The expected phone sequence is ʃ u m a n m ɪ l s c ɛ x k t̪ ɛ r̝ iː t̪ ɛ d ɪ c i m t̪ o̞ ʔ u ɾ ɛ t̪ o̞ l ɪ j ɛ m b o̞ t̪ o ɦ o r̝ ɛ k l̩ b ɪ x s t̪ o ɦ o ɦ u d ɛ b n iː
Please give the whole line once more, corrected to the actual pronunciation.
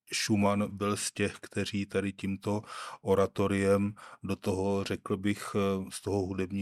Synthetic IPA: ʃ u m a n b ɪ l s c ɛ x k t̪ ɛ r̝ iː t̪ a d ɪ c i m t̪ o̞ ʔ o ɾ a t̪ o̞ ɾ ɪ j ɛ m d o̞ t̪ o ɦ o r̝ ɛ k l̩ b ɪ x s t̪ o ɦ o ɦ u d ɛ b ɲ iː